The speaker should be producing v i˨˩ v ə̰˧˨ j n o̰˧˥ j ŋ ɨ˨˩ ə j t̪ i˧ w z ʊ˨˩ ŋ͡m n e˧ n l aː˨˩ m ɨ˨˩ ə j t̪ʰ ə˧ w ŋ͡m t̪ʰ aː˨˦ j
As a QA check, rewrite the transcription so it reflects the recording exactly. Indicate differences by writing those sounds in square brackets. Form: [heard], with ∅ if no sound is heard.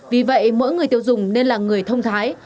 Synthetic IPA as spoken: v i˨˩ v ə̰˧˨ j [m] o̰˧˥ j ŋ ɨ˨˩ ə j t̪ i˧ w z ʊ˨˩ ŋ͡m n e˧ n l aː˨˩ [ŋ] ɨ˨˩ ə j t̪ʰ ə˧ w ŋ͡m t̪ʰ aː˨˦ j